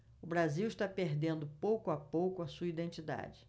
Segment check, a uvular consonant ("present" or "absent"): absent